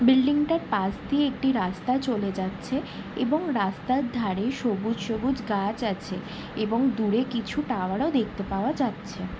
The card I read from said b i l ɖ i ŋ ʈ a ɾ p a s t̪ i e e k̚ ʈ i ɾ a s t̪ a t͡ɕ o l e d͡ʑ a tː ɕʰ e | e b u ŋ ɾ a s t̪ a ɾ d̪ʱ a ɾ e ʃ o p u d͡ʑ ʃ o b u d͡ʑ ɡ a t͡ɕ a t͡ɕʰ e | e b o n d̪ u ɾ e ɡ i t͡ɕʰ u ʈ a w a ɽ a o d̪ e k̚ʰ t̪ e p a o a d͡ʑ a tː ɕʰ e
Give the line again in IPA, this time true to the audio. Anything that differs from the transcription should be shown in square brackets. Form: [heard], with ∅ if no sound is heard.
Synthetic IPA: b i l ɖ i ŋ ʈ a ɾ p a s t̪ i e e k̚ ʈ i ɾ a s t̪ a t͡ɕ o l e d͡ʑ a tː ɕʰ e | e b [o] ŋ ɾ a s t̪ a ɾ d̪ʱ a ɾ e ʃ o [b] u d͡ʑ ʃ o b u d͡ʑ ɡ a t͡ɕ a t͡ɕʰ e | e b o [ŋ] d̪ u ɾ e [k] i t͡ɕʰ u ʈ a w a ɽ a o d̪ e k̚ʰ t̪ e p a o a d͡ʑ a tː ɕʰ e